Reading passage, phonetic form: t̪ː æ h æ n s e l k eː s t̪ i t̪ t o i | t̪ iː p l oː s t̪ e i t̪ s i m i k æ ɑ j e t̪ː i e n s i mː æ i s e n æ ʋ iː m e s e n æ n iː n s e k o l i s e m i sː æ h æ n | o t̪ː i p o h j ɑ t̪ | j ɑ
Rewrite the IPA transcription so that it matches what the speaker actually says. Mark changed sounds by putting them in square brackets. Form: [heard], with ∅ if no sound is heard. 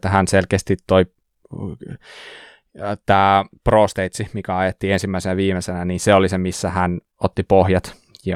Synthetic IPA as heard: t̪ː æ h æ n s e l k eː s t̪ i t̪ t o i | t̪ [æː] p [r] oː s t̪ e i t̪ s i m i k æ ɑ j e t̪ː i e n s i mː æ i s e n æ ʋ iː m e s e n æ n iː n s e [∅] o l i s e m i sː æ h æ n | o t̪ː i p o h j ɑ t̪ | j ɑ